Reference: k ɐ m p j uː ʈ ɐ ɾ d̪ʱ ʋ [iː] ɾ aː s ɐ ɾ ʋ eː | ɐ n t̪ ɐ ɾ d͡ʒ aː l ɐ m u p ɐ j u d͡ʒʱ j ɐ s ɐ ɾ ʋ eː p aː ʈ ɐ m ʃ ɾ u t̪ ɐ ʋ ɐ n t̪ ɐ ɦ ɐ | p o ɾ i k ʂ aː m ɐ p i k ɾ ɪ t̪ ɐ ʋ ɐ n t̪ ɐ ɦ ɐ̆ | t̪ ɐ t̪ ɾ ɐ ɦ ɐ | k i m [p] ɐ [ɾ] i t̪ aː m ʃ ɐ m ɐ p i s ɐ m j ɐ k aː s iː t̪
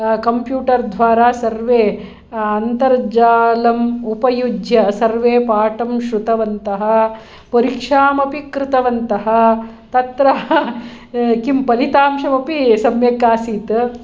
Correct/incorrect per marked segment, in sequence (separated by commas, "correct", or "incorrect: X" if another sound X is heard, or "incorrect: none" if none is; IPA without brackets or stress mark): incorrect: aː, correct, incorrect: l